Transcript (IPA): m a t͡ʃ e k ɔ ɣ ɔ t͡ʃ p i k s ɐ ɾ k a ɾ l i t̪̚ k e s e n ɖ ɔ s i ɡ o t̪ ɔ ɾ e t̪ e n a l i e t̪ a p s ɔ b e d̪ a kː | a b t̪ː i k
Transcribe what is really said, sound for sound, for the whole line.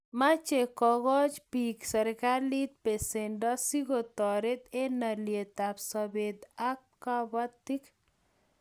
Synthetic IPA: m a t͡ʃ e k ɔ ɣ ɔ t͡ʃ p i k s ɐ ɾ k a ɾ l i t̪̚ p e s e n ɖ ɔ s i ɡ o t̪ ɔ ɾ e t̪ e n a l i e t̪ a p s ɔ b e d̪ a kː | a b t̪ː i k

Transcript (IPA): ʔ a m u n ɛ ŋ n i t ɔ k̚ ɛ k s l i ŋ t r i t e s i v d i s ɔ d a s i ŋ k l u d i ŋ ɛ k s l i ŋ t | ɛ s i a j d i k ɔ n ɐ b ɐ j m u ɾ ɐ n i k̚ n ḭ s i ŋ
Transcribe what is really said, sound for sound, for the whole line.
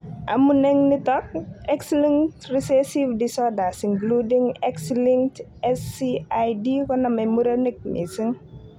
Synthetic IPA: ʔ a m u n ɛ ŋ n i t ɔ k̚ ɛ k s l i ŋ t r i s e s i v d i s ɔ d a s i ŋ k l u d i ŋ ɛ k s l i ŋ t | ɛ s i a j d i k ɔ n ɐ m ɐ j m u ɾ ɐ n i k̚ n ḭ s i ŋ

